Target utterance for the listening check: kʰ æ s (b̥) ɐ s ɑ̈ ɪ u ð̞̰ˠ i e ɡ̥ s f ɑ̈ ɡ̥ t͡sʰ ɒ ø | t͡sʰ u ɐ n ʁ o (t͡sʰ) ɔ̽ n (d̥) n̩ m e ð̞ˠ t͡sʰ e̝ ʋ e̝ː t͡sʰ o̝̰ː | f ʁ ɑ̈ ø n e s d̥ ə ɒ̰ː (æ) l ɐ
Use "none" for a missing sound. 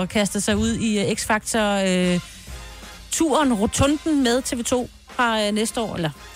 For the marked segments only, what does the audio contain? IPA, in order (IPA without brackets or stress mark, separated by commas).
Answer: d̥, t͡sʰ, d̥, e